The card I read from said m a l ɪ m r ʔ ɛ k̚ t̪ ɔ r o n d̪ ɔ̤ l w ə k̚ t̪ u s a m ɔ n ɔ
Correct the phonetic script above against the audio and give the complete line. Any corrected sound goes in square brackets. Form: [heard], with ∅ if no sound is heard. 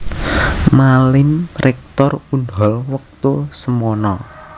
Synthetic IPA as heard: m a l ɪ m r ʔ ɛ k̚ t̪ ɔ r [u] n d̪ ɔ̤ l w ə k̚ t̪ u s [ə] m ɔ n ɔ